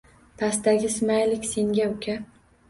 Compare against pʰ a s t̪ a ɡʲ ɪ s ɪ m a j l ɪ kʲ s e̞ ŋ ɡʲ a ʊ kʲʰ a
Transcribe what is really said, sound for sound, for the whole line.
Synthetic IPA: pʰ a s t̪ a ɡʲ ɪ s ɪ m a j l ɪ kʲ s e̞ ŋ ɡʲ a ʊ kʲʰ a